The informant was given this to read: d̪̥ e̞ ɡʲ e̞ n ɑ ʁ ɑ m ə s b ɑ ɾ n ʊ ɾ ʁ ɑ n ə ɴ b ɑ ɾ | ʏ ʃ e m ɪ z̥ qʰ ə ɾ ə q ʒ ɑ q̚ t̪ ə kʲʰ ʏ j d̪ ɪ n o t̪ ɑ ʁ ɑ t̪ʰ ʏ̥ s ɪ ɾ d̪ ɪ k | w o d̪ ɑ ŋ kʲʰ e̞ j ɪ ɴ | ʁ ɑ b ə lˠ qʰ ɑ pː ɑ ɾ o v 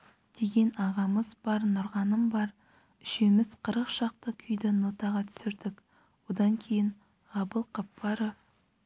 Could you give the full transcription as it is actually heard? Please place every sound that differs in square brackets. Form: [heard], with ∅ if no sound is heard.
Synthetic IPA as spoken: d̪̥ e̞ ɡʲ e̞ n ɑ ʁ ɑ m ə [z] b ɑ ɾ n ʊ ɾ ʁ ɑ n ə [m] b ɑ ɾ | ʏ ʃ e m ɪ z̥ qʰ ə ɾ ə q [ʃ] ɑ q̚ t̪ ə kʲʰ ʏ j d̪ ɪ n o t̪ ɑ ʁ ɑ t̪ʰ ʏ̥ s ɪ ɾ d̪ ɪ k | w o d̪ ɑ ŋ kʲʰ e̞ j ɪ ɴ | ʁ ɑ b ə lˠ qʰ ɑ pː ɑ ɾ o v

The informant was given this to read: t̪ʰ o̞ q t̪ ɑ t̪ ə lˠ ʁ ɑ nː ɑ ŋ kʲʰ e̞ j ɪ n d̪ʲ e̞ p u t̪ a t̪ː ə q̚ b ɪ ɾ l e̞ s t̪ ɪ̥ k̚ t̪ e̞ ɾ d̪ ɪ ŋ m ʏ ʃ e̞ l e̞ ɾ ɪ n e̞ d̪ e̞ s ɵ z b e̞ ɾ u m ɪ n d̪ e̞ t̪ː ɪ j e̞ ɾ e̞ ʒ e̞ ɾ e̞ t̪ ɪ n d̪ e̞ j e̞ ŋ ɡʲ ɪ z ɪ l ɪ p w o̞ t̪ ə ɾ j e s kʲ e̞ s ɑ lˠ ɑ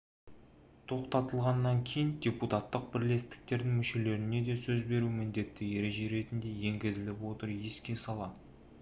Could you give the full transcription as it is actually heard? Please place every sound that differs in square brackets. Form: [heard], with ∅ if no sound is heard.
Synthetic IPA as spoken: t̪ʰ o̞ q t̪ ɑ t̪ ə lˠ ʁ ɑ nː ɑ ŋ kʲʰ e̞ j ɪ n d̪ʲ e̞ p u t̪ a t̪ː ə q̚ b ɪ ɾ l e̞ s t̪ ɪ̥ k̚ t̪ e̞ ɾ d̪ ɪ ŋ m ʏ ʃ e̞ l e̞ ɾ ɪ n e̞ d̪ e̞ s ɵ z b e̞ ɾ u m ɪ n d̪ e̞ t̪ː ɪ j e̞ ɾ e̞ ʒ e̞ ɾ e̞ t̪ ɪ n d̪ e̞ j e̞ ŋ ɡʲ ɪ z ɪ l ɪ p w o̞ t̪ ə ɾ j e s kʲ e̞ s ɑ lˠ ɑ

